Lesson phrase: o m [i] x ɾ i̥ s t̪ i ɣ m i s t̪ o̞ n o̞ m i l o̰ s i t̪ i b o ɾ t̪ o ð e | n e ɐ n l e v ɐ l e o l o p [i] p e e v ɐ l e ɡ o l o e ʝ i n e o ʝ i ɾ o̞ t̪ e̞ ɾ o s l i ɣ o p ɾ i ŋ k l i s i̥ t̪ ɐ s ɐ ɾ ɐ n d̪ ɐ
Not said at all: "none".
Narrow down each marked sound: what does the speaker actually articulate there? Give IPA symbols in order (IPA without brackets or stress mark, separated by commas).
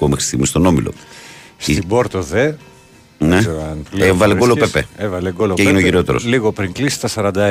e, e